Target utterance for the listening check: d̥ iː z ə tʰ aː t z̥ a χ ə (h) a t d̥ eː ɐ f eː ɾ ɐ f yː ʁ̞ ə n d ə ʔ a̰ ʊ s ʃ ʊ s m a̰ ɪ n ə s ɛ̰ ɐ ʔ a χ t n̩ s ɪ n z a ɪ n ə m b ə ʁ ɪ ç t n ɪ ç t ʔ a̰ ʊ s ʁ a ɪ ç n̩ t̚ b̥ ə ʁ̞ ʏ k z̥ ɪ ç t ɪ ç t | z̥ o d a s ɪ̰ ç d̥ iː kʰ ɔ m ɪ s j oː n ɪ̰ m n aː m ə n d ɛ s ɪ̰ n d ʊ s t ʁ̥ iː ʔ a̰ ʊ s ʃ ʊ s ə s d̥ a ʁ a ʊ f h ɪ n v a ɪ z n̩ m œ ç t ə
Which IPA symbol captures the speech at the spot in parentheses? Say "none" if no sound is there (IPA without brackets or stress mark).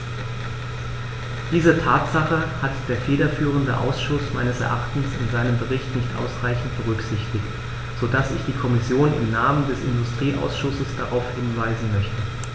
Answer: h